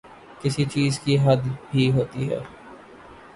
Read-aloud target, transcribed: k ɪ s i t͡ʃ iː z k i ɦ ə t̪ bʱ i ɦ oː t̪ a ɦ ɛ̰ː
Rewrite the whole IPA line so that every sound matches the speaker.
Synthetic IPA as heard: k ɪ s i t͡ʃ iː z k i ɦ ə d̪ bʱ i ɦ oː t̪ i ɦ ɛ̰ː